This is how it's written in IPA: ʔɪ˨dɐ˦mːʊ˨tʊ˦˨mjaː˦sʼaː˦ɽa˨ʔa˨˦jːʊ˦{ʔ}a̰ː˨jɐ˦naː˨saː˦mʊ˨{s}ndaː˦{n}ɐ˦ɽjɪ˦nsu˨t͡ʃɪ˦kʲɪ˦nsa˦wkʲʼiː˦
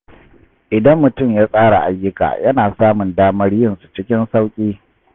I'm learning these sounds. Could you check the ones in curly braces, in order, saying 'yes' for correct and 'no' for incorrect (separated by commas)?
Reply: no, no, no